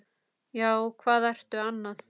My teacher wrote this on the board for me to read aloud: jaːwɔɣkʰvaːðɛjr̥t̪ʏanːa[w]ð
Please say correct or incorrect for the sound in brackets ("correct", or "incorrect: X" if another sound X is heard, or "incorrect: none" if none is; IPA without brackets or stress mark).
incorrect: none